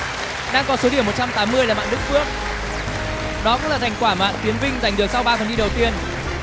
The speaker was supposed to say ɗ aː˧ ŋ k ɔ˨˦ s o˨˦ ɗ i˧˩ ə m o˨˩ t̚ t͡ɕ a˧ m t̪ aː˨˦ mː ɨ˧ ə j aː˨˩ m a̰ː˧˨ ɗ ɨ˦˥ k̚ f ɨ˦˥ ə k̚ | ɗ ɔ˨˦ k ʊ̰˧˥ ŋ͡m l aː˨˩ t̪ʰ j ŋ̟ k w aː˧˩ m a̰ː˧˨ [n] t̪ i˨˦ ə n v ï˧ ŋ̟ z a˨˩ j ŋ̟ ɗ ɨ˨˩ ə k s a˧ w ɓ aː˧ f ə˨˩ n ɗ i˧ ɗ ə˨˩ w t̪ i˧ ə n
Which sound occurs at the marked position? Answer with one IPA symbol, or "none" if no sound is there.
n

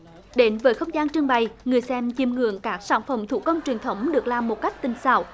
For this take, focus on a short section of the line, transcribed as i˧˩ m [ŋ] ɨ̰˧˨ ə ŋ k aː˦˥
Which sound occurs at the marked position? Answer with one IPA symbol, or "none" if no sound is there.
ŋ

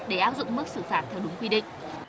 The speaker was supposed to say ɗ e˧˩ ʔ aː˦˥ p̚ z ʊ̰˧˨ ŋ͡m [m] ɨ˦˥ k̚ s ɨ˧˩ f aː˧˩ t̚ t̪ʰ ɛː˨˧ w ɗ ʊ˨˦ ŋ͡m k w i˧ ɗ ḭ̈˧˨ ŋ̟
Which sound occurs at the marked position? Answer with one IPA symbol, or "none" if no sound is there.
m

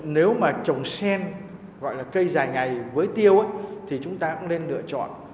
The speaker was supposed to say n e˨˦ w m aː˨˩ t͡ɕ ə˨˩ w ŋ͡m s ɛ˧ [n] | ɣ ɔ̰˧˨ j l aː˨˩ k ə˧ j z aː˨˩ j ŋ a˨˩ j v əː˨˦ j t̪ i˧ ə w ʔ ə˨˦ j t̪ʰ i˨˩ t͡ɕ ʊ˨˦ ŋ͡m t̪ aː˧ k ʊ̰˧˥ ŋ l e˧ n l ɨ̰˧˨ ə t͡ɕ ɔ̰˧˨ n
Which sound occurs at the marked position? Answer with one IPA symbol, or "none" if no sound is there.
n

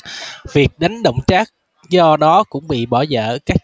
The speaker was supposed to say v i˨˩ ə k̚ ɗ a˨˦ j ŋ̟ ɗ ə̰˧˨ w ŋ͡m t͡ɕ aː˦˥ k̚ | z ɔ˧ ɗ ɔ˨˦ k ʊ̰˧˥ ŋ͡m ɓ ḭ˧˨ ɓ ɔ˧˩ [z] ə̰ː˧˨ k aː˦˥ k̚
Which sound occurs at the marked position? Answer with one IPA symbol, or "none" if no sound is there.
z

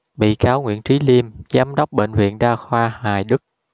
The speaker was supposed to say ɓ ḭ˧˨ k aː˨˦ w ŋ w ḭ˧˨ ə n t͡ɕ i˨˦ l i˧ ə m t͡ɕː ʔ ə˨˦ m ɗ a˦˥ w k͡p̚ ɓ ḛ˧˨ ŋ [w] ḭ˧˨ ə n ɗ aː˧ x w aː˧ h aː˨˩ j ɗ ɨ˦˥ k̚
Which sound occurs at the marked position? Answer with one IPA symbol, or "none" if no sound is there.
v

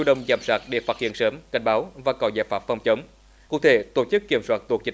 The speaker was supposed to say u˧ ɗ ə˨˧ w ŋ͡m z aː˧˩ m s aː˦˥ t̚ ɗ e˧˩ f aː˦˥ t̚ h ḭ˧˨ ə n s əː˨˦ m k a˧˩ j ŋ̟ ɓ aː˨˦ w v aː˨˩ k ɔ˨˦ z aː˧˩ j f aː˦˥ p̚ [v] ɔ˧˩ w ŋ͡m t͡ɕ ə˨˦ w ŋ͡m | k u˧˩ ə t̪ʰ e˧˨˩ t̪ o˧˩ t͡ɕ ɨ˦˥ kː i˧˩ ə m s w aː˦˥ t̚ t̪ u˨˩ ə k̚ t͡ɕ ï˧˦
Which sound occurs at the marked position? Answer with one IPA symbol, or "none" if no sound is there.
f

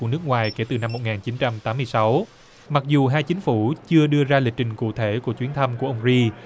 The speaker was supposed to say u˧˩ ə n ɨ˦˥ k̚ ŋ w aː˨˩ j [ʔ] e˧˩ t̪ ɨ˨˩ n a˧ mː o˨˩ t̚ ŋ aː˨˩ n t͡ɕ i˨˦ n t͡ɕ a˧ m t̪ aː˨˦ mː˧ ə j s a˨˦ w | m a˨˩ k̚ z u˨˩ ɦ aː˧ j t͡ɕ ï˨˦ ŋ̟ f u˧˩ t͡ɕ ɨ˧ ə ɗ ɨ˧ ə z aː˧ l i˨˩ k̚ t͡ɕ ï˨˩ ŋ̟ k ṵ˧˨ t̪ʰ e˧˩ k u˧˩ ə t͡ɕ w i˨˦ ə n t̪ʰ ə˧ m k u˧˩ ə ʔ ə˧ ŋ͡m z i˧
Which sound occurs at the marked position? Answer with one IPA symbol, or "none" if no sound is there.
k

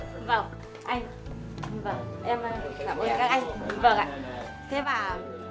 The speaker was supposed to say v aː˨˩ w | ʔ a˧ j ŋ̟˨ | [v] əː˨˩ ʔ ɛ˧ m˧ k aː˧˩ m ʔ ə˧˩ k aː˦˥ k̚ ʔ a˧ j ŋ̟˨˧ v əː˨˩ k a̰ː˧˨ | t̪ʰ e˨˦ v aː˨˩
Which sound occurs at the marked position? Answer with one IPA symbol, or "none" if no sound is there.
v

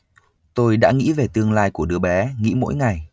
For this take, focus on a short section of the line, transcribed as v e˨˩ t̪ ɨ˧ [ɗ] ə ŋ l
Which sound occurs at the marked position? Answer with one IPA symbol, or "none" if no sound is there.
none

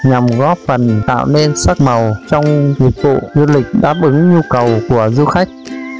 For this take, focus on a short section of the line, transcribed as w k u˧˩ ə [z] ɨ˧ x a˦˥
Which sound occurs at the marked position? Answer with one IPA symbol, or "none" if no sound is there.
z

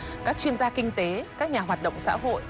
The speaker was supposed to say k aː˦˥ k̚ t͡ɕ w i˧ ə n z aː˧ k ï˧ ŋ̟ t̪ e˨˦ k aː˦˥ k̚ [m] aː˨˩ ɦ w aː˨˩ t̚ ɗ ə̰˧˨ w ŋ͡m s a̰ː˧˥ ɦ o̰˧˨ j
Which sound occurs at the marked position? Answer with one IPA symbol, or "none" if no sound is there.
ɲ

